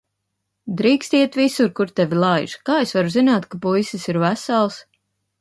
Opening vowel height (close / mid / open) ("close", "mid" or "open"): close